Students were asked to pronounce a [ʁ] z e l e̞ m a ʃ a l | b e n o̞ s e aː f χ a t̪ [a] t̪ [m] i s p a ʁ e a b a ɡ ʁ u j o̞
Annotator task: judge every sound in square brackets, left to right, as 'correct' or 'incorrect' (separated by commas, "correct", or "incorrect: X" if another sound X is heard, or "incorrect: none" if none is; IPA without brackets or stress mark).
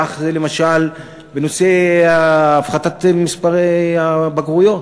incorrect: χ, correct, correct